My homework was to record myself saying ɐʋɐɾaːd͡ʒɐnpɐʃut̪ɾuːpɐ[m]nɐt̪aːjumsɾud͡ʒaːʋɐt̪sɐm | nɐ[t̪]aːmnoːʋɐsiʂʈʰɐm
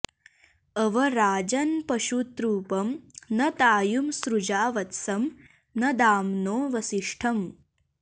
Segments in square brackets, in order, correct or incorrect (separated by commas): correct, incorrect